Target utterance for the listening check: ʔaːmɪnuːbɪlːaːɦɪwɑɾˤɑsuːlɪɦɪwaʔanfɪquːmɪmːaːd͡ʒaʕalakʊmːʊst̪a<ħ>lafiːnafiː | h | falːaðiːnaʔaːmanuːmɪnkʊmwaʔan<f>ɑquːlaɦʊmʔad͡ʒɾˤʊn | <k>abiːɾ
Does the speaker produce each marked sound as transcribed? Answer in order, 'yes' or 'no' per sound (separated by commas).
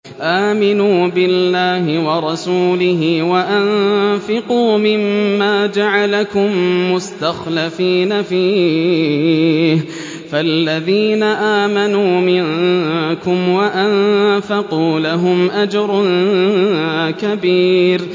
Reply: no, yes, yes